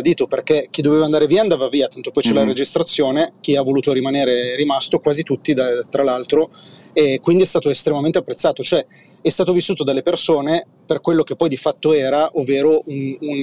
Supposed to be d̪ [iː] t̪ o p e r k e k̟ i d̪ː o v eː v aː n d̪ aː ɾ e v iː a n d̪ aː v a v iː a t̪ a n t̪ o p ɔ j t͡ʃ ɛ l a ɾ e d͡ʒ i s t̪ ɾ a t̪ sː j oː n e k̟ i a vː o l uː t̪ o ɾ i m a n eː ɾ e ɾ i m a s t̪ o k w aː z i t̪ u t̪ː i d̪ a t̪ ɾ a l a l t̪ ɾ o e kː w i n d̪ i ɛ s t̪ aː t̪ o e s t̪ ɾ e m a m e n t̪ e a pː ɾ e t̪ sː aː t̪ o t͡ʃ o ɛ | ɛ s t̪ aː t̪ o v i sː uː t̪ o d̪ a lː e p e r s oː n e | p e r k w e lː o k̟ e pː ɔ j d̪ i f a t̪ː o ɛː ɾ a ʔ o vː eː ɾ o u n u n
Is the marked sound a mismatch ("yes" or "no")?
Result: no